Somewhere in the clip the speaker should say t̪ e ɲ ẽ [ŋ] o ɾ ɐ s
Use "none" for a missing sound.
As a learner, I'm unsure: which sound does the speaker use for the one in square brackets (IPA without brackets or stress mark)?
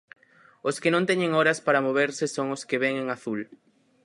ŋ